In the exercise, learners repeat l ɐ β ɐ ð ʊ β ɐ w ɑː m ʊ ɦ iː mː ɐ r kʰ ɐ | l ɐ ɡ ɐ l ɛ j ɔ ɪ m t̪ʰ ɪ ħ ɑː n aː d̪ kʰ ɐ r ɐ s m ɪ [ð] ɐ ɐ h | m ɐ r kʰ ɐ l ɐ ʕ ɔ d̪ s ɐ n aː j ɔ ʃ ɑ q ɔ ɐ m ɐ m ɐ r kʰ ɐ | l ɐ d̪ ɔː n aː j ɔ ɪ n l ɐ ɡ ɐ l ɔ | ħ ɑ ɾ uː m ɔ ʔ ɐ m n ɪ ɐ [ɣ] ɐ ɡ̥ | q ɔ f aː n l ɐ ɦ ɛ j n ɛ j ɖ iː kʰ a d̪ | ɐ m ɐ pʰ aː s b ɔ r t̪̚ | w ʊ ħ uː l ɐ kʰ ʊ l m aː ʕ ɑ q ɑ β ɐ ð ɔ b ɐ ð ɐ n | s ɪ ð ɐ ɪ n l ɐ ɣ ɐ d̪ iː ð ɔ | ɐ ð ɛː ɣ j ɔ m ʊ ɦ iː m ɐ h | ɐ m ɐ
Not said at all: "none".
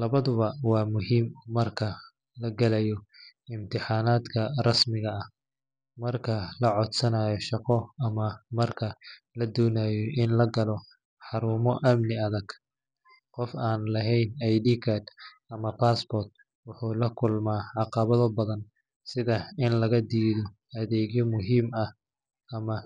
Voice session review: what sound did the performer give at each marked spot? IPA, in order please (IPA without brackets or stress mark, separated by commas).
ɣ, ð